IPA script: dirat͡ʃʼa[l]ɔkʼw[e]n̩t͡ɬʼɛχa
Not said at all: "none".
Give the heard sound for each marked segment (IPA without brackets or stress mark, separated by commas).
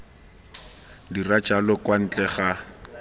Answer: l, a